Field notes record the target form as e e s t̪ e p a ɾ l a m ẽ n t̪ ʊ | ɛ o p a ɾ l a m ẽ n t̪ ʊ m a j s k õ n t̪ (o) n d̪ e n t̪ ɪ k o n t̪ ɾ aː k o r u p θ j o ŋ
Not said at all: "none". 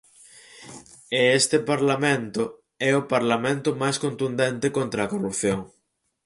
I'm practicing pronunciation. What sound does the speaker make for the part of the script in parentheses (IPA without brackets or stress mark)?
u